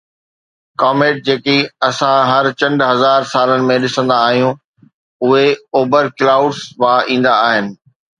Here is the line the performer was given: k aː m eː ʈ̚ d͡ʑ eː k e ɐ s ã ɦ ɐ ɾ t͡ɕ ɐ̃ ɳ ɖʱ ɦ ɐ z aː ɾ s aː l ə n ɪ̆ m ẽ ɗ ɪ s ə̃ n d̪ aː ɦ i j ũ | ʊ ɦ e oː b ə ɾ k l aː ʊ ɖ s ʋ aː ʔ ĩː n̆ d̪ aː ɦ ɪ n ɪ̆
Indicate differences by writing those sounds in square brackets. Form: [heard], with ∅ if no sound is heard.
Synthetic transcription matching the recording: k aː m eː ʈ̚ d͡ʑ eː k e ɐ s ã ɦ ɐ ɾ t͡ɕ ɐ̃ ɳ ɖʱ ɦ ɐ z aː ɾ s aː l ə n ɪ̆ m ẽ ɗ ɪ s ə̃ n d̪ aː ɦ i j ũ | ʊ ɦ e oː b ə ɾ k l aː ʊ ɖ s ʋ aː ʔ ĩː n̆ d̪ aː ɦ ɪ n ɪ̆